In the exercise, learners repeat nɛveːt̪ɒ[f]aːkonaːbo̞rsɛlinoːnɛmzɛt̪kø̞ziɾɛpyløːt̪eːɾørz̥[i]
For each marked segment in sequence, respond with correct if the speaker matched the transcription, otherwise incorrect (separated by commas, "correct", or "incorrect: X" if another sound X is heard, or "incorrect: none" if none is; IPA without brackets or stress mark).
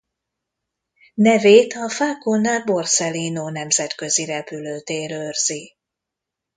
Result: correct, correct